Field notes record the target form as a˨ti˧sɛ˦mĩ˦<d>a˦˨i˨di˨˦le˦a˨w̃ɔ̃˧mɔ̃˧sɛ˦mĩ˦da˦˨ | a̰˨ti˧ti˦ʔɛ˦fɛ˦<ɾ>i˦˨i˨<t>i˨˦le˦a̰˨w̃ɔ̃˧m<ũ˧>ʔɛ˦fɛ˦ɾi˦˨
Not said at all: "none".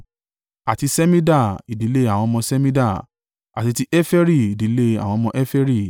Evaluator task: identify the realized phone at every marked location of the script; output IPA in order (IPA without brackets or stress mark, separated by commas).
d, ɾ, d, ɔ̃˧